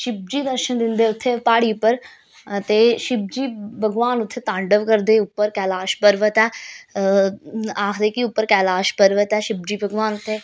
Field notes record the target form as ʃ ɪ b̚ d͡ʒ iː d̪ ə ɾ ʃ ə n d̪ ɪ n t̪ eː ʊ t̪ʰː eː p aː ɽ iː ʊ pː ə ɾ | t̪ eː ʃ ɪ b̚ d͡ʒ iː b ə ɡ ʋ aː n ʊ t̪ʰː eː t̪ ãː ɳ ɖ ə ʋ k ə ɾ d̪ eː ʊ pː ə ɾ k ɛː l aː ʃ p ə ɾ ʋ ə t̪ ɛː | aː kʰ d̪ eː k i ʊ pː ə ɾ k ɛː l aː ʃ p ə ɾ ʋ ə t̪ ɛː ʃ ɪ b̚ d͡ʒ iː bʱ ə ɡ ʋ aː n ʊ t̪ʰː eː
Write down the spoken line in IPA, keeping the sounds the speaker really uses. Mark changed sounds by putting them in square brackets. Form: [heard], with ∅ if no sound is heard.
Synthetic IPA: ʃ ɪ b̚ d͡ʒ iː d̪ ə ɾ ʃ ə n d̪ ɪ n [d̪] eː ʊ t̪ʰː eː p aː ɽ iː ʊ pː ə ɾ | t̪ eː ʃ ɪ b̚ d͡ʒ iː b ə ɡ ʋ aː n ʊ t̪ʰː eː t̪ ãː ɳ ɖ ə ʋ k ə ɾ d̪ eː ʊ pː ə ɾ k ɛː l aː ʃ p ə ɾ ʋ ə t̪ ɛː | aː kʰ d̪ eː k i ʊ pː ə ɾ k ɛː l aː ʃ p ə ɾ ʋ ə t̪ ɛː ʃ ɪ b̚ d͡ʒ iː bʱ ə ɡ ʋ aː n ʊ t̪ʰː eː